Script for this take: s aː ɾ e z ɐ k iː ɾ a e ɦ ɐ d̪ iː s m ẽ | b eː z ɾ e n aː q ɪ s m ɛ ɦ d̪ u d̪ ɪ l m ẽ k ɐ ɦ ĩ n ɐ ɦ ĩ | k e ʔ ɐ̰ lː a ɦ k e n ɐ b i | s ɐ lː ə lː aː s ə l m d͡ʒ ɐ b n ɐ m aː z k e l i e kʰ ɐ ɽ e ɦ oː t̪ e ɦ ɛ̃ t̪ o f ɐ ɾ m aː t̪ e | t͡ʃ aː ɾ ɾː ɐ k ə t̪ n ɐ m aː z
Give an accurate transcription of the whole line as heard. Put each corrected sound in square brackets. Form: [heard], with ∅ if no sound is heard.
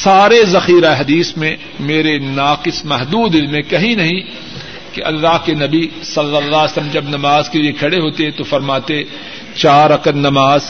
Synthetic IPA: s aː ɾ e z ɐ [x] iː ɾ a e ɦ ɐ d̪ iː s m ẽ | [m] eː [∅] ɾ e n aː q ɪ s m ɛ ɦ d̪ [uː] d̪ ɪ l m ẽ k ɐ ɦ ĩ n ɐ ɦ ĩ | k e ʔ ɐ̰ lː a ɦ k e n ɐ b i | s ɐ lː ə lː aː s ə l m d͡ʒ ɐ b n ɐ m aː z k e l i e kʰ ɐ ɽ e ɦ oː t̪ e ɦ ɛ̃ t̪ o f ɐ ɾ m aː t̪ e | t͡ʃ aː ɾ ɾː ɐ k ə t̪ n ɐ m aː z